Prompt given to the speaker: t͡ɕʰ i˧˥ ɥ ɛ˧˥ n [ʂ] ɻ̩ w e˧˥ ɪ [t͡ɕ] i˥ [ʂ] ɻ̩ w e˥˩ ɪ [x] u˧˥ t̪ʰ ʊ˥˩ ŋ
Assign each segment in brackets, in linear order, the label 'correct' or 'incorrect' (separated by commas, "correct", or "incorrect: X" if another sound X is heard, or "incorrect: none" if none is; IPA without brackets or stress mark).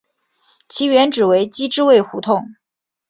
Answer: incorrect: ʈ͡ʂ, correct, incorrect: ʈ͡ʂ, correct